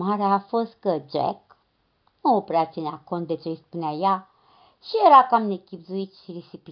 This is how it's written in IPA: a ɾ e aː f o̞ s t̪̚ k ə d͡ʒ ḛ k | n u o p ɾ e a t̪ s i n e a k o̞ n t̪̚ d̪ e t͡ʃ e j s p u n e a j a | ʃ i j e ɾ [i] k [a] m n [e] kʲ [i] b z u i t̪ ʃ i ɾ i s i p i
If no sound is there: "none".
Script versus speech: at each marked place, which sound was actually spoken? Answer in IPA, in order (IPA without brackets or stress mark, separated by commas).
a, a, e, i